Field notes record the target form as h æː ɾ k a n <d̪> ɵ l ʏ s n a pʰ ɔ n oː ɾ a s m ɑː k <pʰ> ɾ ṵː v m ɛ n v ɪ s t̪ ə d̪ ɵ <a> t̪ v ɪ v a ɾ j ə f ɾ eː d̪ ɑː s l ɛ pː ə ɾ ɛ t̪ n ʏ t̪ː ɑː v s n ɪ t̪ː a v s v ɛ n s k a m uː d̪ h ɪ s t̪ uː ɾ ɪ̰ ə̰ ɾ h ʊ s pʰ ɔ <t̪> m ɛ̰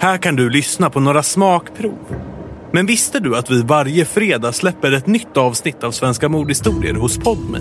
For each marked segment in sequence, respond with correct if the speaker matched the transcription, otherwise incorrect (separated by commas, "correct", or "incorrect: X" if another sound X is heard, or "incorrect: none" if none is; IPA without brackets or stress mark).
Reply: correct, correct, correct, incorrect: d̪